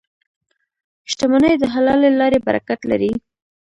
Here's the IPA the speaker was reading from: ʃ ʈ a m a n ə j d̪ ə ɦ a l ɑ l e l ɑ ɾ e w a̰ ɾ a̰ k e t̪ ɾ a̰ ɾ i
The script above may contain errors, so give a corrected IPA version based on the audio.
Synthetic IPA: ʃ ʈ a m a n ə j d̪ ə ɦ a l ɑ l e l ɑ ɾ e b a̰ ɾ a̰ k a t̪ l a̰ ɾ i